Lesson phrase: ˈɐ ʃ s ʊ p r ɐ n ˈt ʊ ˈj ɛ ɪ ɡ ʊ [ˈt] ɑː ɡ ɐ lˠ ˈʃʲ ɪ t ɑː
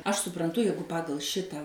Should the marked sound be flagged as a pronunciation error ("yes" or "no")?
yes